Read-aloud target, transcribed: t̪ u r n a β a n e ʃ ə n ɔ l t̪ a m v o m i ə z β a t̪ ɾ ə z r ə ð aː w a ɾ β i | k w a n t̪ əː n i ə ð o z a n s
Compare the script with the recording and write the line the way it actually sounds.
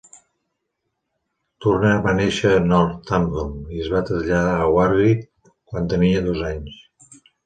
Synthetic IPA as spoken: t̪ u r n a β a n e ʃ ə n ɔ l t̪ a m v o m i ə z β a t̪ ɾ ə z ʎ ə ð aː w a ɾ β i | k w a n t̪ ə n i ə ð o z a ɲ s